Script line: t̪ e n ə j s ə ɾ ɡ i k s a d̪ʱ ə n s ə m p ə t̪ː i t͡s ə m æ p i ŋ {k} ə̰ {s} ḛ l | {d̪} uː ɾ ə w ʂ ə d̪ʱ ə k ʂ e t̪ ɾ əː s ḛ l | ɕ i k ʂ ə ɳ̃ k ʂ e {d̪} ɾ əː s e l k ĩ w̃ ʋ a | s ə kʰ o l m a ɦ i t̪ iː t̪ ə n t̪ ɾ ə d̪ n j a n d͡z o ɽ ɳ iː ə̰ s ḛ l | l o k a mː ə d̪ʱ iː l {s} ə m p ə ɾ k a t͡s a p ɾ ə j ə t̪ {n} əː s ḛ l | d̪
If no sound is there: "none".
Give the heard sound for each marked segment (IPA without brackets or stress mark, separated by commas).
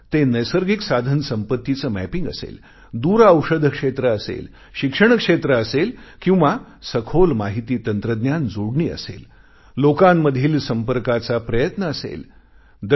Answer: ɡ, s, d̪, t̪, s, n